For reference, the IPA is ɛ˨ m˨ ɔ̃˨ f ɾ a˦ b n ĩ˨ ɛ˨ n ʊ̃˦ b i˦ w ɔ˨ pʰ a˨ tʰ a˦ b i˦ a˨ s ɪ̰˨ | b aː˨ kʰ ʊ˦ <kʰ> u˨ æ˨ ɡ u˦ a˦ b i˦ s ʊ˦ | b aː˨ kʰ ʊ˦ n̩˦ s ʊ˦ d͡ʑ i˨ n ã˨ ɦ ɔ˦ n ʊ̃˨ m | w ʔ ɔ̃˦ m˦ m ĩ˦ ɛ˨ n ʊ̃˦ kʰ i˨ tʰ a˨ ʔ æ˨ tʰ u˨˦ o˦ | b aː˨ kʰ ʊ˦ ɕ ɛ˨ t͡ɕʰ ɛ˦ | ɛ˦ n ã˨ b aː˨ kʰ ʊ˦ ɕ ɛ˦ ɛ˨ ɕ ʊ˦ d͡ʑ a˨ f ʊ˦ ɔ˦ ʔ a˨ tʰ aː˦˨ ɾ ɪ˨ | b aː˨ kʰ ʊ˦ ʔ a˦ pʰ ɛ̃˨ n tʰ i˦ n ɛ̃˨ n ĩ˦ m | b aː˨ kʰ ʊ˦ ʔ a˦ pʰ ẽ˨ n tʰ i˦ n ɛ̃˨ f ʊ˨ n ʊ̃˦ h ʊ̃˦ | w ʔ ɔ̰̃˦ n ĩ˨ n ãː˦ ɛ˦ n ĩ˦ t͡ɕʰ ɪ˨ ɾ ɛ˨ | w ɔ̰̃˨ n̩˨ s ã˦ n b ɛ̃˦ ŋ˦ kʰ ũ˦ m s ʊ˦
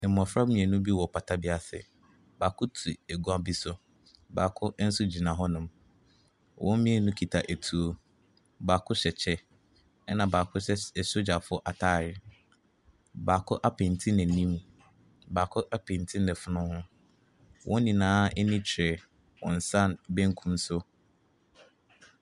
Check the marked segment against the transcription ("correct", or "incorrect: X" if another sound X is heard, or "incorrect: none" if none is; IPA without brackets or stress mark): incorrect: tʰ